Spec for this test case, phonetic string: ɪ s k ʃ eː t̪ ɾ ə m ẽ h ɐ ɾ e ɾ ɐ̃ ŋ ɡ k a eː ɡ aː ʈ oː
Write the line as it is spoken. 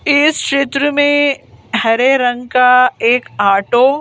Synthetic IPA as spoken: ɪ s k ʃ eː t̪ ɾ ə m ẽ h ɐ ɾ e ɾ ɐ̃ ŋ ɡ k a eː k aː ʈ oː

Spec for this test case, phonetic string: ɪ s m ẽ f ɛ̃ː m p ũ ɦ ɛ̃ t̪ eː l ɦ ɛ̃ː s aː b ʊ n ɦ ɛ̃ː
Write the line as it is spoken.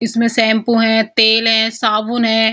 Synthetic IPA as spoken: ɪ s m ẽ s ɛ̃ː m p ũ ɦ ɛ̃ t̪ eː l ɦ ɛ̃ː s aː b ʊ n ɦ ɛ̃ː

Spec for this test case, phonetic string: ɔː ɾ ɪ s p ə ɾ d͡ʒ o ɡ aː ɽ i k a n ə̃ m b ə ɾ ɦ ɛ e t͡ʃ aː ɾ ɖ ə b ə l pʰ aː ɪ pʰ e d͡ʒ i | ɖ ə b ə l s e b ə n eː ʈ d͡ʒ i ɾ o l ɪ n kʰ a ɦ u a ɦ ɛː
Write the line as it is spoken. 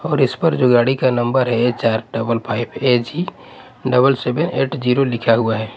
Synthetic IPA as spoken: ɔː ɾ ɪ s p ə ɾ d͡ʒ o ɡ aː ɽ i k a n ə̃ m b ə ɾ ɦ ɛ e t͡ʃ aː ɾ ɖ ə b ə l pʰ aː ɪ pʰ e d͡ʒ i | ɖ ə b ə l s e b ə n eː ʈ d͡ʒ i ɾ o l ɪ kʰ a ɦ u a ɦ ɛː

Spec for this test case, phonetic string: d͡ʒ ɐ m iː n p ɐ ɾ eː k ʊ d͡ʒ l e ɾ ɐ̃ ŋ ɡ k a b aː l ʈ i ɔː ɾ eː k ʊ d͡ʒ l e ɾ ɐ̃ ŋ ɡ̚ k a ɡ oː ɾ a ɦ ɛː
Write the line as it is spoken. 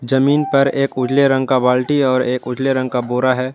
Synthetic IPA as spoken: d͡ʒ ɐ m iː n p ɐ ɾ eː k ʊ d͡ʒ l e ɾ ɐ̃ ŋ ɡ k a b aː l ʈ i ɔː ɾ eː k ʊ d͡ʒ l e ɾ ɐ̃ ŋ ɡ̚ k a b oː ɾ a ɦ ɛː

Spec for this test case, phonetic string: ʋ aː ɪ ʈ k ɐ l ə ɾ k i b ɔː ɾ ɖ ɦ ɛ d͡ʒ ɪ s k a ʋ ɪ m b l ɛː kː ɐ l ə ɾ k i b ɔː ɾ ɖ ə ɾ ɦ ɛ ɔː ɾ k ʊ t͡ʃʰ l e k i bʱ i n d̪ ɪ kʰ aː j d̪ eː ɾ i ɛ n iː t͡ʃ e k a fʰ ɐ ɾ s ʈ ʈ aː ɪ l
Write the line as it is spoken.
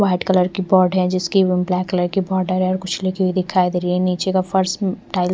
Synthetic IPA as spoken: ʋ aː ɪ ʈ k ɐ l ə ɾ k i b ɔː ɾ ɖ ɦ ɛ d͡ʒ ɪ s k i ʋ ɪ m b l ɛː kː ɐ l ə ɾ k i b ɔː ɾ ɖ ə ɾ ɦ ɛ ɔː ɾ k ʊ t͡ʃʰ l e k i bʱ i d̪ ɪ kʰ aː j d̪ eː ɾ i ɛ n iː t͡ʃ e k a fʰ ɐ ɾ s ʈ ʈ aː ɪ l

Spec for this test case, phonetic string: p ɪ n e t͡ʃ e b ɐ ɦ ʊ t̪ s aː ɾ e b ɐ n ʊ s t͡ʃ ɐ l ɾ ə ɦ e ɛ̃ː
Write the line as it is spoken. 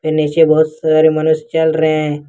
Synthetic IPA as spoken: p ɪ n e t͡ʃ e b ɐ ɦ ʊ t̪ s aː ɾ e m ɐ n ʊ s t͡ʃ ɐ l ɾ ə ɦ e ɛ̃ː

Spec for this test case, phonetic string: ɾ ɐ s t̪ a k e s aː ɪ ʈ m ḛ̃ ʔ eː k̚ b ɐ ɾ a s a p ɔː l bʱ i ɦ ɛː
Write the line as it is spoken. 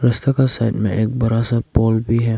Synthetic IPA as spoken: ɾ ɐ s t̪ a k a s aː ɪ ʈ m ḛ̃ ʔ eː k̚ b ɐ ɾ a s a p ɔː l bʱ i ɦ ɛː

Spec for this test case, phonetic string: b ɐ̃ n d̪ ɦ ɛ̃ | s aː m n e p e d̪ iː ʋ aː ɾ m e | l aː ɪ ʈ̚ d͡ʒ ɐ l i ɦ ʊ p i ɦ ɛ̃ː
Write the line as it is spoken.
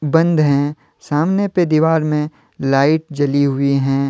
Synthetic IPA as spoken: b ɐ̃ n d̪ ɦ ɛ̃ | s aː m n e p e d̪ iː ʋ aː ɾ m ẽ | l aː ɪ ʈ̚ d͡ʒ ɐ l i ɦ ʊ i ɦ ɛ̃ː

